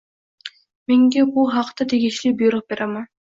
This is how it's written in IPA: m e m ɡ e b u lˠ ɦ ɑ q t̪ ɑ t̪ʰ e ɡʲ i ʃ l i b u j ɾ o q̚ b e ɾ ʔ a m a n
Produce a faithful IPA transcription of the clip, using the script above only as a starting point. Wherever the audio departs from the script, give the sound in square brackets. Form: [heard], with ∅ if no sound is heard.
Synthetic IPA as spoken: m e [ŋ] ɡ e b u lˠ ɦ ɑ q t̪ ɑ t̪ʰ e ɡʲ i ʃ l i b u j ɾ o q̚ b e ɾ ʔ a m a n

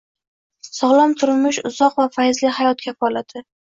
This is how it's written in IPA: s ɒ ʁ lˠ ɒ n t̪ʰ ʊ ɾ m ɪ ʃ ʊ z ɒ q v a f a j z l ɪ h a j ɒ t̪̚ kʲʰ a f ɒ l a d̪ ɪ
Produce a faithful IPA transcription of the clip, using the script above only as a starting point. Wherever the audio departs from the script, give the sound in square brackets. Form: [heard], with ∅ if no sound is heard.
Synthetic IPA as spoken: s ɒ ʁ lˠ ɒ [m] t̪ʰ ʊ ɾ m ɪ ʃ ʊ z ɒ q v a f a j z l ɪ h a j ɒ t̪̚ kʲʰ a f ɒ l a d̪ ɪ

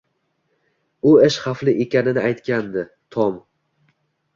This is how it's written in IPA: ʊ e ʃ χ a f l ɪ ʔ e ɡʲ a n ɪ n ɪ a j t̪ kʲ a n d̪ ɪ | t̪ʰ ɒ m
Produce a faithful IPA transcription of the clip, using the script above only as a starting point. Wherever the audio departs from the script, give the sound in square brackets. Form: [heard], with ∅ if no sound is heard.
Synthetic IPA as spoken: ʊ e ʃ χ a f l ɪ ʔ e [kʲ] a n ɪ n ɪ a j t̪ kʲ a n d̪ ɪ | t̪ʰ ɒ m

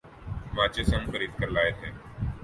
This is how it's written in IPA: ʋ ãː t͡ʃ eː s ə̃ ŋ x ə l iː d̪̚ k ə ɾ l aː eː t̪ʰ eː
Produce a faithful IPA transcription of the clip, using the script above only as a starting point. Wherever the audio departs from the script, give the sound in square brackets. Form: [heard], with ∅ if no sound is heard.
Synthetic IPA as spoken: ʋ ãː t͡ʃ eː s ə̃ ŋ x ə [ɾ] iː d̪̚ k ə ɾ l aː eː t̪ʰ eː

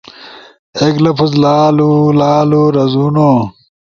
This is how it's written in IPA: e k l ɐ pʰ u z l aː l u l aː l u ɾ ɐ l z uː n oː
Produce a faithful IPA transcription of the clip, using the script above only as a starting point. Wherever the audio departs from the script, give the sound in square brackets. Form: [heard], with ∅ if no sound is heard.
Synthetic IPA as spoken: e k l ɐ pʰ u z l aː l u l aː l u ɾ ɐ [∅] z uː n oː

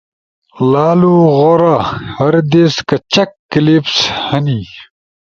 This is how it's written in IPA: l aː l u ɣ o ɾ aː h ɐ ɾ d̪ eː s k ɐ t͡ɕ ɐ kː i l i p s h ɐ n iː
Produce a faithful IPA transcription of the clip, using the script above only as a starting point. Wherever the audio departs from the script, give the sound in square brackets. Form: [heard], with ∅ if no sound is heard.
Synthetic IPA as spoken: l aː l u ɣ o ɾ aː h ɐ ɾ d̪ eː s k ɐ t͡ɕ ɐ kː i l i p s h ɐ n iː

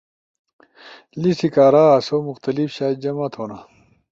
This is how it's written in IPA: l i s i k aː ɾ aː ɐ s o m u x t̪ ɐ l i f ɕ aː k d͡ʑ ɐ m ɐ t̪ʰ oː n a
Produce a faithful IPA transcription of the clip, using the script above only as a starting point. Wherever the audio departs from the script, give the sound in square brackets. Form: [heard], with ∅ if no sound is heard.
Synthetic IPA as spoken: l i s i k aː ɾ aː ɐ s o m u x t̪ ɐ l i f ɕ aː [∅] d͡ʑ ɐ m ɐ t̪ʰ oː n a

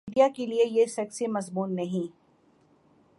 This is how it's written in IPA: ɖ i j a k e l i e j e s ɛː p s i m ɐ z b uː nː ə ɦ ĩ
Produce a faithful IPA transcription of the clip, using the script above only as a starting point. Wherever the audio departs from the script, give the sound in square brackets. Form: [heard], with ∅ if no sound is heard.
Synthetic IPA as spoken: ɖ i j a k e l i e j e s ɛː [k] s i m ɐ z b uː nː [ɐ] ɦ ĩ

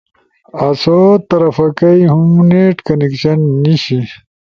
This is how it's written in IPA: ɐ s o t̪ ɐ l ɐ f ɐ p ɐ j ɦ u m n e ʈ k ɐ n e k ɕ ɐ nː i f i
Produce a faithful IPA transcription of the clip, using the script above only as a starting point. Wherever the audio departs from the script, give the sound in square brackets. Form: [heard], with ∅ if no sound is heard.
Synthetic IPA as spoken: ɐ s o t̪ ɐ [ɾ] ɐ f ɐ [k] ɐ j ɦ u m n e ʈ k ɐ n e k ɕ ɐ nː i [ɕ] i

